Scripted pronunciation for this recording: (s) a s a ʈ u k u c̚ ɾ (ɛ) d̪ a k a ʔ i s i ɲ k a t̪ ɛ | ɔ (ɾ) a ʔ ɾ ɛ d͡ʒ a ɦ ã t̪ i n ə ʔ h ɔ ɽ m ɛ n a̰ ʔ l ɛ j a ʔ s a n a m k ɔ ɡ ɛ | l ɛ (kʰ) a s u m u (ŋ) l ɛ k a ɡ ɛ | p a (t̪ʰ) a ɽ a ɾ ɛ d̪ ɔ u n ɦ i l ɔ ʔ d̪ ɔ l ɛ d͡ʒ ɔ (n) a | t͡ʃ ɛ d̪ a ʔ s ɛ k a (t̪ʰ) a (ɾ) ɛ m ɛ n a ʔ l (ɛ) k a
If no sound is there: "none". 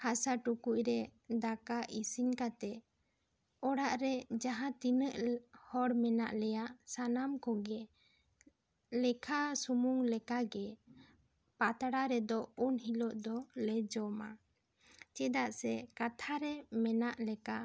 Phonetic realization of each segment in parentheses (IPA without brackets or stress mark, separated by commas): h, ɛ, ɽ, kʰ, ŋ, t̪, m, t̪ʰ, ɾ, ɛ